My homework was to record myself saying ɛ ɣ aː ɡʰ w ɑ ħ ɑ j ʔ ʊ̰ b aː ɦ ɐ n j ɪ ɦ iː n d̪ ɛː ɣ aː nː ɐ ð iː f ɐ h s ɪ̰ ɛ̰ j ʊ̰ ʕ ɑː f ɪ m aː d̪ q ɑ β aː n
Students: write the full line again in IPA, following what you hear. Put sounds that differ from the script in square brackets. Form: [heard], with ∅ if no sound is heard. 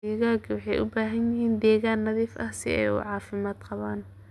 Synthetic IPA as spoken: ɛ ɣ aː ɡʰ w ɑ ħ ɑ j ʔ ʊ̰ b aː ɦ ɐ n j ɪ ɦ iː n d̪ ɛː ɣ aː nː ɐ ð iː f ɐ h s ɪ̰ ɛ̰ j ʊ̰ ʕ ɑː f ɪ m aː d̪ q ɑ β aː n